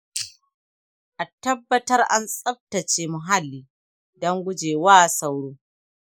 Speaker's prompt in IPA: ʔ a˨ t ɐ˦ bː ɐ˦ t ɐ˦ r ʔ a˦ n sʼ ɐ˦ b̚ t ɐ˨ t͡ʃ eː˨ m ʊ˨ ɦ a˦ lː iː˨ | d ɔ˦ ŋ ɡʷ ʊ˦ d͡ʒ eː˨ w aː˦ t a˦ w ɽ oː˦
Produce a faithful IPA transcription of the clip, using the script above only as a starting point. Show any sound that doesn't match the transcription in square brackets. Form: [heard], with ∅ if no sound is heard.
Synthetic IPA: ʔ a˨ t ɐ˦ bː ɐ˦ t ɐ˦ r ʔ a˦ n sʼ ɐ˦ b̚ t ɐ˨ t͡ʃ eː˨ m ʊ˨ ɦ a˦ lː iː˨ | d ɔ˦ ŋ ɡʷ ʊ˦ d͡ʒ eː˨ w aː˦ [s] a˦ w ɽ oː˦